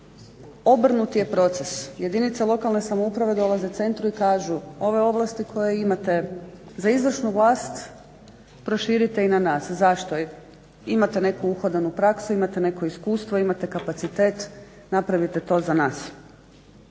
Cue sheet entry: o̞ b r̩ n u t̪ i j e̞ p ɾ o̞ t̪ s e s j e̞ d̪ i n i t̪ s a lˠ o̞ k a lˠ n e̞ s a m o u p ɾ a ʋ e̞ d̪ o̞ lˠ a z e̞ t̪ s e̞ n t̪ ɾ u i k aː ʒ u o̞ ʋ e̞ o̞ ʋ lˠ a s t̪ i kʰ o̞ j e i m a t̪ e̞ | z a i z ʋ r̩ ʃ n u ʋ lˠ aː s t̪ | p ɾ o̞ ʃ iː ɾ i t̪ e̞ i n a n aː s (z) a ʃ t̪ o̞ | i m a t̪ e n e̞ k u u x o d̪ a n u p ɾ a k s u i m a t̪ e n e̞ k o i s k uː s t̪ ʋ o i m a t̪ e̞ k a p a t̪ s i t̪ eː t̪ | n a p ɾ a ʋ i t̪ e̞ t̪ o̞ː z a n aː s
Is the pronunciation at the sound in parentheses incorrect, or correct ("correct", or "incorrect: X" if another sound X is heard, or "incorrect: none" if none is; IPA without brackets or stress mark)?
correct